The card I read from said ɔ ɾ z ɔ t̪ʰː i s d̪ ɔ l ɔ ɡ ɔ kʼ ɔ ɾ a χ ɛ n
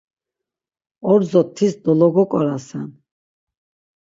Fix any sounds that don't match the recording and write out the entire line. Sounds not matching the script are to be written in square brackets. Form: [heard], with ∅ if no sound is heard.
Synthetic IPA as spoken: ɔ ɾ z ɔ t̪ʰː i s d̪ ɔ l ɔ ɡ ɔ kʼ ɔ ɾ a [s] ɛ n